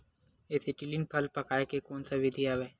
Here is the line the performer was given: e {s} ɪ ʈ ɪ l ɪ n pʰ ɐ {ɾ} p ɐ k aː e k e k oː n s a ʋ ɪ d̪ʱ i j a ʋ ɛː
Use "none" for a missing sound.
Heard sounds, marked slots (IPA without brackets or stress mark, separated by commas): s, l